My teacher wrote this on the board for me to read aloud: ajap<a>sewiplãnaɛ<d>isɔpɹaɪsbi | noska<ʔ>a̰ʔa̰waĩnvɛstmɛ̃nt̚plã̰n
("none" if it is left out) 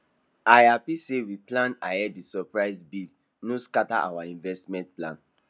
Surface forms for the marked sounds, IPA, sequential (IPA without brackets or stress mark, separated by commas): i, d, t